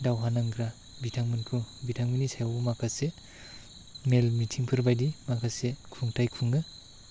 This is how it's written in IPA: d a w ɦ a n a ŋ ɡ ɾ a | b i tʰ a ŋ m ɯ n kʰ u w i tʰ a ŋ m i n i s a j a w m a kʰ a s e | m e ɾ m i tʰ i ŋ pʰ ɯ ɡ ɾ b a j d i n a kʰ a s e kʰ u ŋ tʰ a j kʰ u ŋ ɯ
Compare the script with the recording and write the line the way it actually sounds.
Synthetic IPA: d a w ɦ a n a ŋ ɡ ɾ a | b i tʰ a ŋ m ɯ n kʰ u b i tʰ a ŋ m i n i s a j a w m a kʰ a s e | m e l m i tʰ i ŋ pʰ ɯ ɾ b a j d i m a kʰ a s e kʰ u ŋ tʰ a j kʰ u ŋ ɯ